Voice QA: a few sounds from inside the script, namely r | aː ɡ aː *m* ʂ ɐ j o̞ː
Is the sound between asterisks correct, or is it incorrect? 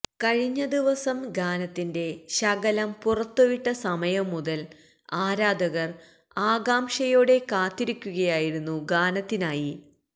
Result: correct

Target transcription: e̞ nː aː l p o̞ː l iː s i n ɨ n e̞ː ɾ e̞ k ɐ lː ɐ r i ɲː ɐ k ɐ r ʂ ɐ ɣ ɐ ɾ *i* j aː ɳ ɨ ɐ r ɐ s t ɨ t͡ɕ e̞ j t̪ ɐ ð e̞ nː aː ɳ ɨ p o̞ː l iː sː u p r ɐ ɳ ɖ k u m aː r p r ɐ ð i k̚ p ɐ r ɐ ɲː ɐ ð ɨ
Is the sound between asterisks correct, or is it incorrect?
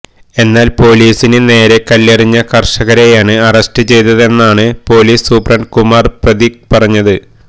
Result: incorrect: e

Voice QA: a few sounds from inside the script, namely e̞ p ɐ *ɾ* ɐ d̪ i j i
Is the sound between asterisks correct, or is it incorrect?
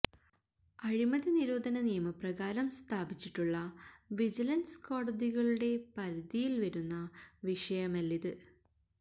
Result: correct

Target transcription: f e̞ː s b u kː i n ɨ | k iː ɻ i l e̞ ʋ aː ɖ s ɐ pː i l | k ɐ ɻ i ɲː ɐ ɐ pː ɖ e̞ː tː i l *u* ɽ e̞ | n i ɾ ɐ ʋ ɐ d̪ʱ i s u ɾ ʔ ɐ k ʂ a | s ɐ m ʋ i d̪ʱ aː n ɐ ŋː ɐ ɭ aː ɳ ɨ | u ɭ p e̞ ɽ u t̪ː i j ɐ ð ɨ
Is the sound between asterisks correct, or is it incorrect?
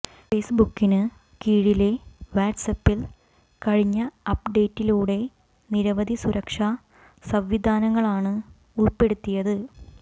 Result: incorrect: uː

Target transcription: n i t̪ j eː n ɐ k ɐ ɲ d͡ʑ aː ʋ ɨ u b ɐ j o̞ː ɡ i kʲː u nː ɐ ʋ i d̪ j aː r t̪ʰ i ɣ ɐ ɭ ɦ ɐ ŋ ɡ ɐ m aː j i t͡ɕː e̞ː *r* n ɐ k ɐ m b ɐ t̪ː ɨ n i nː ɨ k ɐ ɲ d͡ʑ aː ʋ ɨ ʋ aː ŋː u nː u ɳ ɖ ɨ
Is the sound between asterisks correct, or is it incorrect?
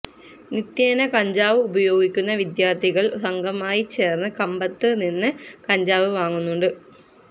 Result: correct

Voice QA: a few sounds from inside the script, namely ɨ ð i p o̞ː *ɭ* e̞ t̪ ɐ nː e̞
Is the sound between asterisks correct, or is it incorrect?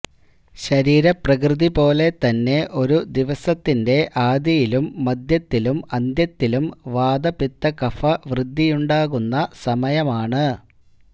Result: incorrect: l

